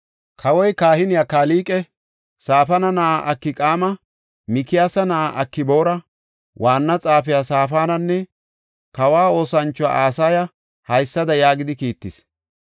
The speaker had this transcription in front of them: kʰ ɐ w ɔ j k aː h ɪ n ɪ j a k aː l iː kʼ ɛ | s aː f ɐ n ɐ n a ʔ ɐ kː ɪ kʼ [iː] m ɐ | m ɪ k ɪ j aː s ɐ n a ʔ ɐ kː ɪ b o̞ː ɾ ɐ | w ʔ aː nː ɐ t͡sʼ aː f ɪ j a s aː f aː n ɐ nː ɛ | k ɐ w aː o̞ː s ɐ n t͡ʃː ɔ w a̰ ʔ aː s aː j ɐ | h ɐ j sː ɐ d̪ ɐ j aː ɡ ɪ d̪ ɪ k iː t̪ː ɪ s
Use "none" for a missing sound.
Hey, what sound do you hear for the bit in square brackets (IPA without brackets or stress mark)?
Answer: aː